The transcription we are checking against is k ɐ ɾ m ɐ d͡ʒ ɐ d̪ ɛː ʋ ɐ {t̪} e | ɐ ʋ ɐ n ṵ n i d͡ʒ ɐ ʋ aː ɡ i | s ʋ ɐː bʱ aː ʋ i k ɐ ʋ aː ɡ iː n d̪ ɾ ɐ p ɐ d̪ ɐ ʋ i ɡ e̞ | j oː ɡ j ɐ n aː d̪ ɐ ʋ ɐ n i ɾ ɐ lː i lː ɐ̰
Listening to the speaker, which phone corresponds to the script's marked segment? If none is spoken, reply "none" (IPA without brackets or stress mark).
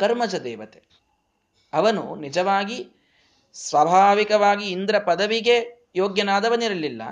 t̪